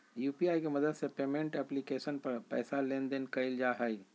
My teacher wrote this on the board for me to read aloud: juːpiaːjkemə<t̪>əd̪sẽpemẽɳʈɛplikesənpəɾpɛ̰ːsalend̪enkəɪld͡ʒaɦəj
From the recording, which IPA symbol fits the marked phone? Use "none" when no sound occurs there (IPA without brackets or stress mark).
d̪